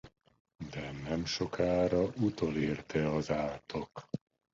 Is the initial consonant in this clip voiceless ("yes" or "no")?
no